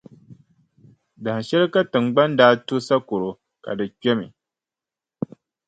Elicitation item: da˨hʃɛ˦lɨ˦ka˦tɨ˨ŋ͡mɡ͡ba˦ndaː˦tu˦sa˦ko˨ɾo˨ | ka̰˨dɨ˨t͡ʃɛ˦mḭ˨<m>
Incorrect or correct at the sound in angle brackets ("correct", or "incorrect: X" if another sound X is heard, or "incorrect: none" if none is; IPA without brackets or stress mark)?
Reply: incorrect: none